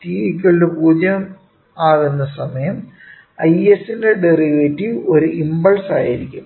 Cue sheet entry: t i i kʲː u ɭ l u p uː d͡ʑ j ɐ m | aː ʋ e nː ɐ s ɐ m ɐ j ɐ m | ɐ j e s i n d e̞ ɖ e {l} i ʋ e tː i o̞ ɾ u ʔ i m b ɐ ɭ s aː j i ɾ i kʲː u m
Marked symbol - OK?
no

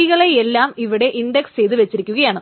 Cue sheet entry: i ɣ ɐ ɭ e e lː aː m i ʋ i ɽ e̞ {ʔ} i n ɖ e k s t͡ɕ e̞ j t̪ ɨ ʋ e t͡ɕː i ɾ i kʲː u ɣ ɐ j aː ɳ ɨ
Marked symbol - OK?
yes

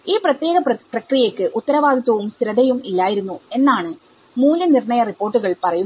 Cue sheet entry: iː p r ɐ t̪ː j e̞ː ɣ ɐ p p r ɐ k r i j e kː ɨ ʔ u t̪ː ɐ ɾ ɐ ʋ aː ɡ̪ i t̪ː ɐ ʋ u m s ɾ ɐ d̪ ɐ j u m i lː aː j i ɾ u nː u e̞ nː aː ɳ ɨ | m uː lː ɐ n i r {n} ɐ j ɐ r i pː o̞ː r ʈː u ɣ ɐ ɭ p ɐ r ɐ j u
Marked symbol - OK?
no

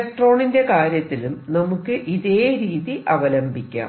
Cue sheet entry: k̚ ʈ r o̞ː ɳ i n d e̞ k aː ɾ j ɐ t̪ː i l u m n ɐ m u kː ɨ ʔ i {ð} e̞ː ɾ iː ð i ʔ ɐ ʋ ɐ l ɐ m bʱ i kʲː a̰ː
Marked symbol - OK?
yes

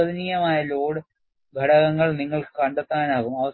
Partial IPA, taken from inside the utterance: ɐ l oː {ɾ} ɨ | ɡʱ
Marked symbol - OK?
no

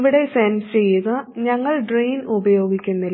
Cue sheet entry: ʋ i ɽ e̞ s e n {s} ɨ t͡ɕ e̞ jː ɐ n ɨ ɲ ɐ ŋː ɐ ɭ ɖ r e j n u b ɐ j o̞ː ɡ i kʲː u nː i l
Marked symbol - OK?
yes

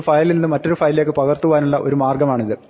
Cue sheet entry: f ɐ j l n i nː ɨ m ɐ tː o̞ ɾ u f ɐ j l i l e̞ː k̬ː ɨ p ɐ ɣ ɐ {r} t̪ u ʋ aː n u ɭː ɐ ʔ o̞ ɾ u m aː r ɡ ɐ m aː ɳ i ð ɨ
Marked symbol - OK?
yes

